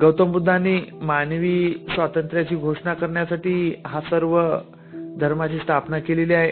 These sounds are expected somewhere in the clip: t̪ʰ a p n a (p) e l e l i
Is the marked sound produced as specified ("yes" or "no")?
no